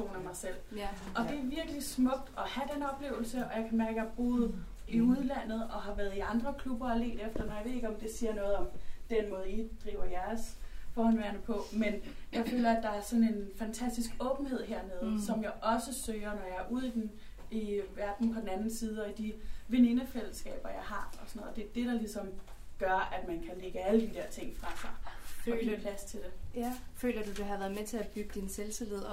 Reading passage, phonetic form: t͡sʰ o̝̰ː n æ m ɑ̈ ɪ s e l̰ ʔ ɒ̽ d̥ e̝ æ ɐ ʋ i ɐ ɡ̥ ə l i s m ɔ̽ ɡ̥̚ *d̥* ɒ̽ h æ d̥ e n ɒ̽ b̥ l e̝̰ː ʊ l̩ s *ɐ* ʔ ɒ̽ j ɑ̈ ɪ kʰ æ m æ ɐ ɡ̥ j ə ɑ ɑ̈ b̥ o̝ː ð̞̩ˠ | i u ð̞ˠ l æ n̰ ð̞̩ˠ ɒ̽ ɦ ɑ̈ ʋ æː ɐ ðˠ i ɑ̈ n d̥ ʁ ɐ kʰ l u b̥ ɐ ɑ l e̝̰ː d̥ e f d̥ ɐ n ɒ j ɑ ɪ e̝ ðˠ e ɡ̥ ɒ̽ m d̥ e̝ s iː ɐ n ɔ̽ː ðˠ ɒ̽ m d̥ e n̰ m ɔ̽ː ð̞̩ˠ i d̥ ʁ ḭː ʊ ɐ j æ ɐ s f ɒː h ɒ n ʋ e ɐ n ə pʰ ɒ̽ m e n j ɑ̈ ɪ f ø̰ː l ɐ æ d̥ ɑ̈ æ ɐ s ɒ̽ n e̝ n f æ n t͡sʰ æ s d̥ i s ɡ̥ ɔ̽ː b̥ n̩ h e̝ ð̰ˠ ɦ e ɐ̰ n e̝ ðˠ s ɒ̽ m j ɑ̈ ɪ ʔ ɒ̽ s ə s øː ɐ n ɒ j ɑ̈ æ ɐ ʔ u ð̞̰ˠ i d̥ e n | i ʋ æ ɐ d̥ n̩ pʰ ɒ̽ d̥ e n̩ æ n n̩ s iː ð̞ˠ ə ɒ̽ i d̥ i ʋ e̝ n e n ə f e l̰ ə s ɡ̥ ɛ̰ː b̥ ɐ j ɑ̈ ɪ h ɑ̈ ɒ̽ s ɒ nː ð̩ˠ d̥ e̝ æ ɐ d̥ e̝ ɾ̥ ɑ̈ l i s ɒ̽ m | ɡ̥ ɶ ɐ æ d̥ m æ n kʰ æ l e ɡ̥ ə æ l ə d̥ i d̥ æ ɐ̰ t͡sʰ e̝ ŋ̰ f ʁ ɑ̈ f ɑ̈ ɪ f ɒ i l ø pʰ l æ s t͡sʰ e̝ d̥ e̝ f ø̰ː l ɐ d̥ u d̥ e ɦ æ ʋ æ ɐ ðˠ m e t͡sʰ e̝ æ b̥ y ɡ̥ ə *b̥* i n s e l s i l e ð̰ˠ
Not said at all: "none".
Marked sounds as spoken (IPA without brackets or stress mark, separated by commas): d̥, ə, d̥